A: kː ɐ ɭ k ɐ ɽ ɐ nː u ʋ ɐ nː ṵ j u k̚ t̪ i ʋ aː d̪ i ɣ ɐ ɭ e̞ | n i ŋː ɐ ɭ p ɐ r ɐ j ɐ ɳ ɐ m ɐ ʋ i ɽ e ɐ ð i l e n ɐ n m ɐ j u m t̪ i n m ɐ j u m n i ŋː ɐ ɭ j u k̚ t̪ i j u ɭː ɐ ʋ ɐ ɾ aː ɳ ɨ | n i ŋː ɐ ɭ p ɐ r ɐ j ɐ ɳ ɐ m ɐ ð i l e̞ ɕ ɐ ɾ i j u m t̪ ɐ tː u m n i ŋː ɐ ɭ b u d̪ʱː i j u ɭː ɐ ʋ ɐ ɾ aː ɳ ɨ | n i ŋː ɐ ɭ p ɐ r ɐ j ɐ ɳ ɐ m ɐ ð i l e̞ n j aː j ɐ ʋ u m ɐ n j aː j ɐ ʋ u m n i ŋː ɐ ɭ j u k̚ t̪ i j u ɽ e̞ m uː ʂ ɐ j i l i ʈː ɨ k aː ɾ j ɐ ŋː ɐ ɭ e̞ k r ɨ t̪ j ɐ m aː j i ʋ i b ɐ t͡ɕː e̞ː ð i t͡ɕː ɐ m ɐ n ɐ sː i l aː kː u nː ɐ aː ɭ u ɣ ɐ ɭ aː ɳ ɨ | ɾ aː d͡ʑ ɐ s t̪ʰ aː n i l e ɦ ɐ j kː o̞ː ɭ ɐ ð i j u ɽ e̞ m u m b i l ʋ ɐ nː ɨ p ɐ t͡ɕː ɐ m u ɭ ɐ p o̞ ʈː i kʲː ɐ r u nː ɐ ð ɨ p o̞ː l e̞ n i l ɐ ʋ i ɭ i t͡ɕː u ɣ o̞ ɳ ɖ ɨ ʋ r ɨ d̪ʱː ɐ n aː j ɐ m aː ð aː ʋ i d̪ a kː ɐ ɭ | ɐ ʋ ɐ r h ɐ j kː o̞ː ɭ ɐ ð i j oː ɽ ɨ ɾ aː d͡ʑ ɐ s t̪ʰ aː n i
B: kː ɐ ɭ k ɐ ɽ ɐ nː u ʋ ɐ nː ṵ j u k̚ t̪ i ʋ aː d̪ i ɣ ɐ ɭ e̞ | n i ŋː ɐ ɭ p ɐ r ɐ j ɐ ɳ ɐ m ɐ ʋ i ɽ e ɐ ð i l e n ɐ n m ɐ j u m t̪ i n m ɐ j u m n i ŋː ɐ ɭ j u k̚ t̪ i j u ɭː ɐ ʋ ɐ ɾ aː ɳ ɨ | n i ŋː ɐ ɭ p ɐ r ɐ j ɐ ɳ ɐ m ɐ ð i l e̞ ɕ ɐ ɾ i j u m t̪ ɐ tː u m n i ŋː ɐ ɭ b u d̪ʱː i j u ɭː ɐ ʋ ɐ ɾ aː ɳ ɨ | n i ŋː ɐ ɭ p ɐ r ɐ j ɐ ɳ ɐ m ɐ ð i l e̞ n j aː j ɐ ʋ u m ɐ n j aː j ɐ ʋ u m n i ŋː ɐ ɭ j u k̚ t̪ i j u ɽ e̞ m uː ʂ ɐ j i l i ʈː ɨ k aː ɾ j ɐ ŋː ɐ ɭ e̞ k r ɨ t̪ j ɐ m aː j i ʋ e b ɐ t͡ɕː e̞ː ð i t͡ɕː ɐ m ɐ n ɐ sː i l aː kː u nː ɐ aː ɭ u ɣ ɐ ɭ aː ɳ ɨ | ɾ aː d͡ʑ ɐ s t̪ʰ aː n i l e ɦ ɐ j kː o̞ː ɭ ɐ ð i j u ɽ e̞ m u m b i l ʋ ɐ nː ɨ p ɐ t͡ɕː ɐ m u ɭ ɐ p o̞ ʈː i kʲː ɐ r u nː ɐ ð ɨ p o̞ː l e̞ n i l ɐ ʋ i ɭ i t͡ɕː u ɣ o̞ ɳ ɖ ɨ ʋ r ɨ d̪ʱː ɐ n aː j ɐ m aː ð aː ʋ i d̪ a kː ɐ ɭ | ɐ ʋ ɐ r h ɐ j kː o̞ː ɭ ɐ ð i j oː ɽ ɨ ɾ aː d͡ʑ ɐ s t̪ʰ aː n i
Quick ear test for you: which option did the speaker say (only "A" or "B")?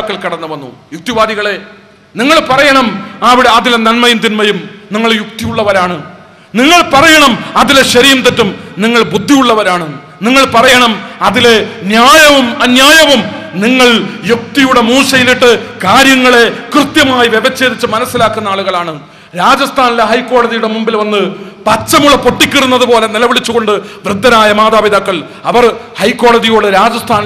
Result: B